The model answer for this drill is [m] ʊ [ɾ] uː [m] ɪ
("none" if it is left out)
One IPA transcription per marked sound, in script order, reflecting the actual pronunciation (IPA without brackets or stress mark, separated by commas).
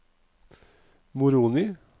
m, ɾ, n